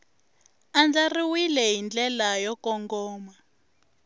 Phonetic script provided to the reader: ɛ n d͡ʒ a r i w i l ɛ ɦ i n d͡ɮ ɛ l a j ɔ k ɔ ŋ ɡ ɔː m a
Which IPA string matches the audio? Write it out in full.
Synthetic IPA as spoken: a n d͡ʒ a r i w i l ɛ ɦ i n d͡ɮ ɛ l a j ɔ k ɔ ŋ ɡ ɔː m a